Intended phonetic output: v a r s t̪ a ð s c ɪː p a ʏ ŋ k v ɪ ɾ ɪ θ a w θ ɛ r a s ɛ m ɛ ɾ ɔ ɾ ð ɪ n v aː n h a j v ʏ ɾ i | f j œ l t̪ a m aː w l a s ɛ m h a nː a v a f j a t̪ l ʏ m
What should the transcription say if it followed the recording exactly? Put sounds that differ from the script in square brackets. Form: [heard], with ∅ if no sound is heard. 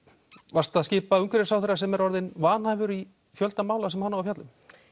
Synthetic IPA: v a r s t̪ a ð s c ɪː p a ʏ ŋ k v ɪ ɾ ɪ [s] a w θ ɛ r a s ɛ m ɛ ɾ ɔ ɾ ð ɪ n v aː n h a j v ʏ ɾ i | f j œ l t̪ a m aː w l a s ɛ m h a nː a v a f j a t̪ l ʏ m